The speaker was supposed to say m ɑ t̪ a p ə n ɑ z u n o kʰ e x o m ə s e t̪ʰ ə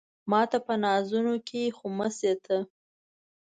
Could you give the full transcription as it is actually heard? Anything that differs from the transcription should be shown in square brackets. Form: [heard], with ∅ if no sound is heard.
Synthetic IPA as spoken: m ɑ t̪ a p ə n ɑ z u n o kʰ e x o m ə s e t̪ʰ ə

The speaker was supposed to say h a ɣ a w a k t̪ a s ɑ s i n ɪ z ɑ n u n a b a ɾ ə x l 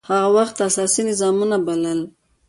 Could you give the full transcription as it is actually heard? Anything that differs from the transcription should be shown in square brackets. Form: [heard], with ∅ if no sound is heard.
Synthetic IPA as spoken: h a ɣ a w a [x] t̪ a s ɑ s i n ɪ z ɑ [m] u n a b a [l] ə [∅] l

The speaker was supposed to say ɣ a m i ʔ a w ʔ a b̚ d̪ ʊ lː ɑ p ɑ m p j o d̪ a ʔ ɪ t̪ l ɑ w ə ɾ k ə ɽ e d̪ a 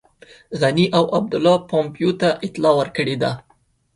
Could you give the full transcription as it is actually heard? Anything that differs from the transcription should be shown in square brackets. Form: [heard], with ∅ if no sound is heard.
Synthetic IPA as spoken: ɣ a [n] i ʔ a w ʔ a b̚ d̪ ʊ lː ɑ p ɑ m p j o [t̪] a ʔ ɪ t̪ l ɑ w ə ɾ k ə ɽ e d̪ a

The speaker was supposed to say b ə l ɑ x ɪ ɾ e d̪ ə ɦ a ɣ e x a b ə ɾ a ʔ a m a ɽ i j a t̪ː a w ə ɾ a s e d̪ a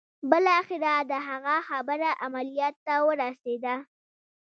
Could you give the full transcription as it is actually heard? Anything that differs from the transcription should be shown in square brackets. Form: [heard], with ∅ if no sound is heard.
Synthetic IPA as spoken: b ə l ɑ x ɪ ɾ [a] d̪ ə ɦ a ɣ [a] x a b ə ɾ a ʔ a m a [l] i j [ɑ] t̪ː a w ə ɾ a s e d̪ a

